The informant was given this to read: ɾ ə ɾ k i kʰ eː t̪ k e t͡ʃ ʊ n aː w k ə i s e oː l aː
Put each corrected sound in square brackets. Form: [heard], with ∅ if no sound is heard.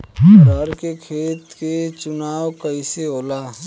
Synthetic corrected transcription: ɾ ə ɾ k [e] kʰ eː t̪ k e t͡ʃ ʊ n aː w k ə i s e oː l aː